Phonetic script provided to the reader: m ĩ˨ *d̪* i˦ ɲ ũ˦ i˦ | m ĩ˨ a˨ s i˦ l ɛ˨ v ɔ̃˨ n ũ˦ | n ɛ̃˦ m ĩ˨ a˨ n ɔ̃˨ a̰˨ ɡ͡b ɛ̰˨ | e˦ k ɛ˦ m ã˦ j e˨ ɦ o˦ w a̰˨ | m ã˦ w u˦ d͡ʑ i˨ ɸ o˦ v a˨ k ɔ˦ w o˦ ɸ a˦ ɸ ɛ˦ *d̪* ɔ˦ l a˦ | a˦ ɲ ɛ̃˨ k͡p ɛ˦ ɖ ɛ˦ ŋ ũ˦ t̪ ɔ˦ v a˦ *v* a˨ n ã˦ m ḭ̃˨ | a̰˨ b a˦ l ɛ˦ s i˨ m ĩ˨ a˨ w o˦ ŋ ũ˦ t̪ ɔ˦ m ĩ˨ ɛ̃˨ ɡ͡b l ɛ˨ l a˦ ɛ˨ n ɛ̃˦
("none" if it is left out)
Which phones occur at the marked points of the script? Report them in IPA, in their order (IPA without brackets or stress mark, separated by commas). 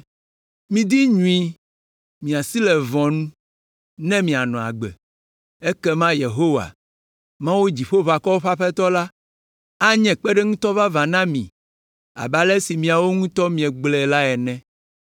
d̪, t̪, v